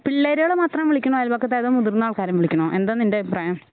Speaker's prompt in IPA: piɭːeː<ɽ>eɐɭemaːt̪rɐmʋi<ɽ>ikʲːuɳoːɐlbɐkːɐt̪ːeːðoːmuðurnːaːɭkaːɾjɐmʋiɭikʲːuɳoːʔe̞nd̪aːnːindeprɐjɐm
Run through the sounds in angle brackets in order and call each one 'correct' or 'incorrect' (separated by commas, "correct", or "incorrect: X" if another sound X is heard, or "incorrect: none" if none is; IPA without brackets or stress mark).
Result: incorrect: ɾ, incorrect: ɭ